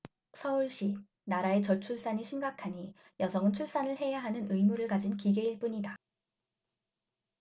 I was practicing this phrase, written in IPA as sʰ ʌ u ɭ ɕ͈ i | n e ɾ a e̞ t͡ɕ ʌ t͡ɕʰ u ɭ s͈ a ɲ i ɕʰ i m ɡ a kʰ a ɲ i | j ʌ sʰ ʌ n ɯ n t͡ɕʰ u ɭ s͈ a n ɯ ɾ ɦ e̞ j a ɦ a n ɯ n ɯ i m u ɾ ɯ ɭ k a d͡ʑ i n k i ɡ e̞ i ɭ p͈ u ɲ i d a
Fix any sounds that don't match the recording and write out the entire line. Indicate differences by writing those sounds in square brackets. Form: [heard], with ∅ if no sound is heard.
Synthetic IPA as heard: sʰ ʌ u ɭ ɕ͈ i | n [a] ɾ a e̞ t͡ɕ ʌ t͡ɕʰ u ɭ s͈ a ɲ i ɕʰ i m ɡ a kʰ a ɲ i | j ʌ sʰ ʌ [ŋ] ɯ n t͡ɕʰ u ɭ s͈ a n ɯ [ɭ] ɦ e̞ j a ɦ a n ɯ n ɯ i m u ɾ ɯ ɭ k a d͡ʑ i n k i ɡ e̞ i ɭ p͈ u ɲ i d a

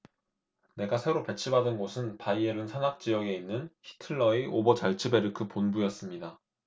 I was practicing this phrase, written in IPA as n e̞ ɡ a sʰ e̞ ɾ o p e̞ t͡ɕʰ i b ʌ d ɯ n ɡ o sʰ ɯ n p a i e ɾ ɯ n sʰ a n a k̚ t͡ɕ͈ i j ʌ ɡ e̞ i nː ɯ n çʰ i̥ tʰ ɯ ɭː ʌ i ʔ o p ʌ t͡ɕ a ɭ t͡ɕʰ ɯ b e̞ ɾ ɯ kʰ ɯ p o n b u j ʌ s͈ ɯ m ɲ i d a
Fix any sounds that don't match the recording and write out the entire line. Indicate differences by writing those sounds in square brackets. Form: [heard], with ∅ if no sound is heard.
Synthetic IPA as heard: n e̞ ɡ a sʰ e̞ ɾ o p e̞ t͡ɕʰ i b [a] d ɯ n ɡ o sʰ ɯ n p a i e ɾ ɯ n sʰ a n a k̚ t͡ɕ͈ i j ʌ ɡ e̞ i nː ɯ n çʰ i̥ tʰ ɯ ɭː ʌ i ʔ o [b] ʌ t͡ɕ a ɭ t͡ɕʰ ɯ b e̞ ɾ ɯ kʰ ɯ p o n b u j ʌ s͈ ɯ m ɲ i d a

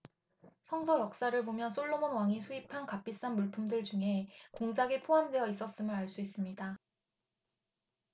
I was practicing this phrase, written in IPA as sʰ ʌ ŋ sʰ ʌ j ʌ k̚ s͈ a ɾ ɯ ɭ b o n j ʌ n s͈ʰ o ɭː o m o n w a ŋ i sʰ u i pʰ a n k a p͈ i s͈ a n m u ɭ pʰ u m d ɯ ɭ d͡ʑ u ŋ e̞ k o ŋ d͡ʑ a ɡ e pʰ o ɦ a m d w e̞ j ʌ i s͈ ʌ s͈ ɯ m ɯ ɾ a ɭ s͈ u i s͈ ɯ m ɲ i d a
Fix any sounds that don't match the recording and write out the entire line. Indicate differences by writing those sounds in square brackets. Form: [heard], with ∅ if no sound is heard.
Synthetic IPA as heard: sʰ ʌ ŋ sʰ ʌ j ʌ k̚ s͈ a ɾ ɯ ɭ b o [m] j ʌ n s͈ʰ o ɭː o m o n w a ŋ i sʰ u i pʰ a n k a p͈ i s͈ a n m u ɭ pʰ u m d ɯ ɭ d͡ʑ u ŋ e̞ k o ŋ d͡ʑ a ɡ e pʰ o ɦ a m d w e̞ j ʌ i s͈ ʌ s͈ ɯ m ɯ ɾ a ɭ s͈ u i s͈ ɯ m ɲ i d a

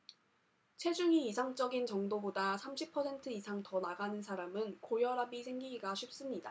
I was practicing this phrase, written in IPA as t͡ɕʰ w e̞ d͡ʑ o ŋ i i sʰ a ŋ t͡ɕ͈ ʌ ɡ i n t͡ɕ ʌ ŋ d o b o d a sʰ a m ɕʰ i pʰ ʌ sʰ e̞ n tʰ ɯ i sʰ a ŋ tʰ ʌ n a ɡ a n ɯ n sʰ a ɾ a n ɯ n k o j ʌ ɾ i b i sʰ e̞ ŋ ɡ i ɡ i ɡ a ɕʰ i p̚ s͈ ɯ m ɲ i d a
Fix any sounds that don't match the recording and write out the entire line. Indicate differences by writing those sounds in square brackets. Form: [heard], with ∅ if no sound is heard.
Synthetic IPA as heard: t͡ɕʰ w e̞ d͡ʑ [u] ŋ i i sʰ a ŋ t͡ɕ͈ ʌ ɡ i n t͡ɕ ʌ ŋ d o b o d a sʰ a m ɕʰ i pʰ ʌ sʰ e̞ n tʰ ɯ i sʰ a ŋ [t] ʌ n a ɡ a n ɯ n sʰ a ɾ a [m] ɯ n k o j ʌ ɾ [a] b i sʰ e̞ ŋ ɡ i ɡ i ɡ a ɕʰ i p̚ s͈ ɯ m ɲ i d a

